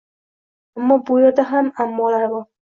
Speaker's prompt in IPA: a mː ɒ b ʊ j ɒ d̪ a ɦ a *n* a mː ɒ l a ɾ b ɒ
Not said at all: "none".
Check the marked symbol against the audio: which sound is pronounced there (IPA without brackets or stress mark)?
m